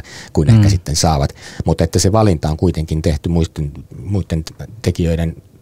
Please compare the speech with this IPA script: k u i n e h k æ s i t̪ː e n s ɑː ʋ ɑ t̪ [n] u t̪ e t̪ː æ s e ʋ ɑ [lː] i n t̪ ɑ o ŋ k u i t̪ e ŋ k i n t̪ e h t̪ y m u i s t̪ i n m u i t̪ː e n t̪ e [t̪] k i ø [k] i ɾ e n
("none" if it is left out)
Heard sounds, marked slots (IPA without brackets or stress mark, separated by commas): m, l, none, none